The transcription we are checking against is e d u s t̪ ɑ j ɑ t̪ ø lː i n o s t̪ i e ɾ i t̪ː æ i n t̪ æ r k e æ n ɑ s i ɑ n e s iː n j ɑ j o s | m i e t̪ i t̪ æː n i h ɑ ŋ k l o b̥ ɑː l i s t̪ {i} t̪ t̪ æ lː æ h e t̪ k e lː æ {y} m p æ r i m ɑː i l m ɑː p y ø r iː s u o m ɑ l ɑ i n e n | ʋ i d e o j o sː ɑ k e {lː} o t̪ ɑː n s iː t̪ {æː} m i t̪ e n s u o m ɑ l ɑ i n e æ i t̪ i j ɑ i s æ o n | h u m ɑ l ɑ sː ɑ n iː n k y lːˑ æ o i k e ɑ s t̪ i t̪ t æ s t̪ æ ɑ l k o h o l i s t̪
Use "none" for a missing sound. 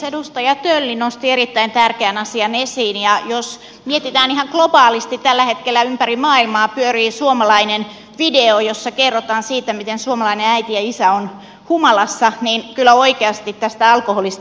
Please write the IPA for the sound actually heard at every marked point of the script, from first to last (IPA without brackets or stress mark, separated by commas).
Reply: i, y, rː, æ